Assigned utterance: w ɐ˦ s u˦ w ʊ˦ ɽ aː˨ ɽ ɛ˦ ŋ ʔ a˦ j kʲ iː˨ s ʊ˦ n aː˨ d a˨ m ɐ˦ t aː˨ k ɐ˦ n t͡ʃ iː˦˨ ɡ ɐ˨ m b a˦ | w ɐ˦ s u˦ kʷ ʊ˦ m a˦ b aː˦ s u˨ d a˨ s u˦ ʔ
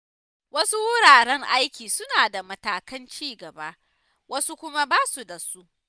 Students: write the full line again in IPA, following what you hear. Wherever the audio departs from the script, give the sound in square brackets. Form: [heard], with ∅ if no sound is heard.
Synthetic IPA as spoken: w ɐ˦ s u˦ w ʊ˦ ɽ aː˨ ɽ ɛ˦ ŋ ʔ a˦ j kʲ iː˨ s ʊ˦ n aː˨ d a˨ m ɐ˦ t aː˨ k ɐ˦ n t͡ʃ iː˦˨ ɡ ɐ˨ [∅] b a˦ | w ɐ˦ s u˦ kʷ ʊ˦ m a˦ b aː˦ s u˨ d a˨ s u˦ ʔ